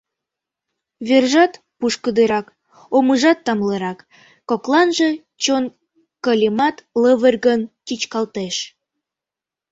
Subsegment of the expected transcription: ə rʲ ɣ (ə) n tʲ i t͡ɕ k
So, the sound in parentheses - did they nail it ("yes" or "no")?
yes